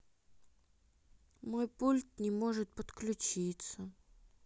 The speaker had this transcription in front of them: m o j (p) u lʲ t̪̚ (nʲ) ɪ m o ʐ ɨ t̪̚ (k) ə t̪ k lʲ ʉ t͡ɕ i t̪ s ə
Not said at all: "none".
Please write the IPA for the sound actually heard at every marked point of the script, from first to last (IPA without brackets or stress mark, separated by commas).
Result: p, nʲ, p